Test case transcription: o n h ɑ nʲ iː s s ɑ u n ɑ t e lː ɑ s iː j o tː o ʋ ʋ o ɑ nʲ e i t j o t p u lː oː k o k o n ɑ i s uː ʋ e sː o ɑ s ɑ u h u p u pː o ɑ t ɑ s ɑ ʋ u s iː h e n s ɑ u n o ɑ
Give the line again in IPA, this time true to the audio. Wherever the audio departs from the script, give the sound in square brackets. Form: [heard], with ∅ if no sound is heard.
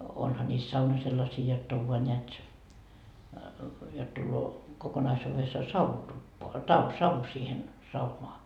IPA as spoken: o n h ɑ nʲ iː s s ɑ u n ɑ [s] e lː ɑ s iː j o tː o ʋ ʋ o ɑ nʲ e [æ] t j o t [t] u lː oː k o k o n ɑ i s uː ʋ e sː o ɑ s ɑ u h u [t] u pː o ɑ t ɑ s ɑ ʋ u s iː h e n s ɑ u n o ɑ

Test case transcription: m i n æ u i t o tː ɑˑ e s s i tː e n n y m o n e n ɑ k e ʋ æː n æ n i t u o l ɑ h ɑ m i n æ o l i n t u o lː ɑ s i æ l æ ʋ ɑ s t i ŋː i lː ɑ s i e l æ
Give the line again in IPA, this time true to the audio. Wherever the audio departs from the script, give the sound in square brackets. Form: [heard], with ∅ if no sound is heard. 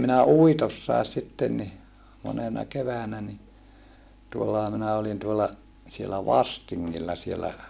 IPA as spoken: m i n æ u i t o [sː] ɑˑ e s s i tː e n n [i] m o n e n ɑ k e ʋ æː n æ n i t u o [lː] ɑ h ɑ m i n æ o l i n t u o lː ɑ s i [e] l æ ʋ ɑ s t i ŋː i lː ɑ s i e l æ

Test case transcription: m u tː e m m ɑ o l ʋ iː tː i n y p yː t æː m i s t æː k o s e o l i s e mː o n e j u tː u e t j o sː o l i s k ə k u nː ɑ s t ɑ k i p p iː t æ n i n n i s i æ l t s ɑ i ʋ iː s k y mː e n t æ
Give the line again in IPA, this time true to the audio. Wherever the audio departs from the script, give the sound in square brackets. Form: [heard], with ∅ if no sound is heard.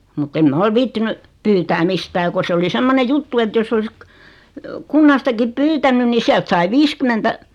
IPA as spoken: m u tː e m m ɑ o l ʋ iː tː i n y p yː t æː m i s t æː k o s e o l i s e mː o n e j u tː u e t j o sː o l i s k ə k u nː ɑ s t ɑ k i p p [yː] t æ n [y] n n i s i æ l t s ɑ i ʋ iː s k y mː e n t æ

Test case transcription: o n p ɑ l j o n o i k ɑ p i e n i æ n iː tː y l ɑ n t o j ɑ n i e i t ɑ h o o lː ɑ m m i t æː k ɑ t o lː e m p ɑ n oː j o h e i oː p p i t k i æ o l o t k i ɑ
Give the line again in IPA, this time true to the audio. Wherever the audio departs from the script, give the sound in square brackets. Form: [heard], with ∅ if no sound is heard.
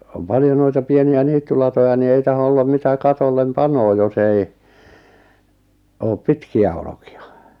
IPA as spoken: o [m] p ɑ l j o n o i [t] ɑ p i e n i æ n iː tː y l ɑ [∅] t o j ɑ n i e i t ɑ h o o lː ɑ m m i t [æ] k ɑ t o lː e m p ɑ n oː j o [s] e i oː p p i t k i æ o l o [∅] k i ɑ

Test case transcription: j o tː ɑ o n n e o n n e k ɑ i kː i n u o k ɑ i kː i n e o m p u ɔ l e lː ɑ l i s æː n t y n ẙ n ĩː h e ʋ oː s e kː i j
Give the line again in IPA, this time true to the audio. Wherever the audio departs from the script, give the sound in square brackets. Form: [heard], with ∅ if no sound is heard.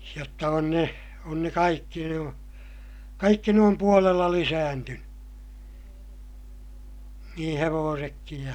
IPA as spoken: j o tː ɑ o n n e o n n e k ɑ i kː i n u o k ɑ i kː i n e o m p u [o] l e lː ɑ l i s æː n t y n ẙ n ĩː h e ʋ oː s e kː i j

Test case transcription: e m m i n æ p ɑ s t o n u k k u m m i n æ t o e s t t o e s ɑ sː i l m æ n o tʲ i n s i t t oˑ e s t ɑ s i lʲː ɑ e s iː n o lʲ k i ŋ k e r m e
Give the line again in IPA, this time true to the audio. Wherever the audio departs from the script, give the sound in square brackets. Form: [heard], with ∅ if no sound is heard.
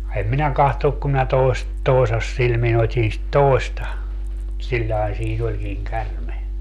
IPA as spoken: e m m i n æ [k] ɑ [h] t o n u k k u m m i n æ t o e s t t o e s ɑ sː i l m [i] n o tʲ i n s i t t oˑ e s t ɑ s i lʲː ɑ e s iː n o lʲ k i ŋ k [æ] r m e

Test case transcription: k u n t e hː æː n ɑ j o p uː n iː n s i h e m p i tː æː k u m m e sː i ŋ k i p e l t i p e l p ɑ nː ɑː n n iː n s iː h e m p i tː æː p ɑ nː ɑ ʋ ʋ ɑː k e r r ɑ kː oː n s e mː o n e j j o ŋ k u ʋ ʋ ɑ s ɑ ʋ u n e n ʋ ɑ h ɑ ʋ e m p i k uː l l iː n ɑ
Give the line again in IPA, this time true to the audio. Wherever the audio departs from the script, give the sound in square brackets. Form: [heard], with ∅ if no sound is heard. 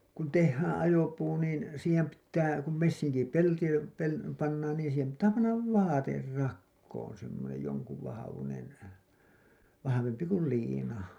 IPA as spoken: k u n t e hː æː n ɑ j o p uː n iː n s [iː] h e m p i tː æː k u m m e sː i ŋ k i p e l t i p e l p ɑ nː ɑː n n iː n s iː h e m p i tː æː p ɑ nː ɑ ʋ ʋ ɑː [t] e r r ɑ kː oː n s e mː o n e j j o ŋ k u ʋ ʋ ɑ [h] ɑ ʋ u n e n ʋ ɑ h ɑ ʋ e m p i k [u] l l iː n ɑ

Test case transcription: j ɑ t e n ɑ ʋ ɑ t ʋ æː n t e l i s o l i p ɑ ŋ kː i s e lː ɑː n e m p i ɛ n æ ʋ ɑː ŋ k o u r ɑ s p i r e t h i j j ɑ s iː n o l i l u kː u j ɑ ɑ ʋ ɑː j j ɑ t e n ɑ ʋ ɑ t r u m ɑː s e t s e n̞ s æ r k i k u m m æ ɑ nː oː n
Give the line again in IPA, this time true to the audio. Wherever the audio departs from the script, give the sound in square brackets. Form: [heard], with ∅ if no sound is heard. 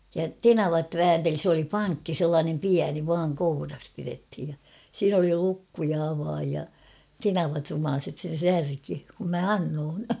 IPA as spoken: j ɑ t e n ɑ ʋ ɑ t ʋ æː n t e l i s o l i p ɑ ŋ kː i s e lː ɑː n e m p i [æ] n [i] ʋ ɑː ŋ k o u r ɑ s p i r e t h i j j ɑ s iː n o l i l u kː u j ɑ ɑ ʋ ɑː j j ɑ t e n ɑ ʋ ɑ t r u m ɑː s e t s e n̞ s æ r k i k u m m æ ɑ nː oː n

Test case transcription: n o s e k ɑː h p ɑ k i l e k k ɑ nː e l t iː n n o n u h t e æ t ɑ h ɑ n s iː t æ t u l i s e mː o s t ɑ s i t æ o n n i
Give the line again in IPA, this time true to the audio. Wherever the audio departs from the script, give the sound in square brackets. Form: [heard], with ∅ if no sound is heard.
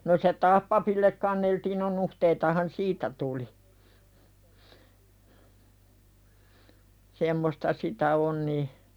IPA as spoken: n o s e [t] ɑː h p ɑ [p] i [lː] e k k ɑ nː e l t iː n n o n u h t e [i] t ɑ h ɑ n s iː t æ t u l i s e mː o s t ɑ s i t æ o n n i

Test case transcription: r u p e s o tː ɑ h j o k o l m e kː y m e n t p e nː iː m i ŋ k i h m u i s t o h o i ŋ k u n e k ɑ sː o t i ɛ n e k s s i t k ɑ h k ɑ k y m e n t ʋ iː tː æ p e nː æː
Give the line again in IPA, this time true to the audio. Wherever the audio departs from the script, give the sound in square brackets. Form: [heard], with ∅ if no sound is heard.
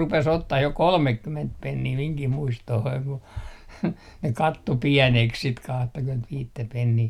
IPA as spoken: r u p e s o tː ɑ h j o k o l m e kː y m e n t p e nː iː m i ŋ k i h m u i s t o h o i ŋ k u n e k ɑ [tː] o [p] i ɛ n e k s s i t k ɑ h [t] ɑ k y m e n t ʋ iː tː æ p e nː [iː]

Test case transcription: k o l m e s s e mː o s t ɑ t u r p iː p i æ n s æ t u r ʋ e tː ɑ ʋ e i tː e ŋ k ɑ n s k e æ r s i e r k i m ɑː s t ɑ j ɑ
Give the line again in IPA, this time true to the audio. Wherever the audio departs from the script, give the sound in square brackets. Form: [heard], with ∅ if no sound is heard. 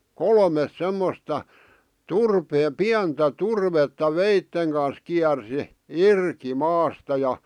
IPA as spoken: k o l m e s s e mː o s t ɑ t u r p [eː] p i æ n [t] æ t u r ʋ e tː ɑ ʋ e i tː e ŋ k ɑ n s k [i] æ r s i [i] r k i m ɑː s t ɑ j ɑ

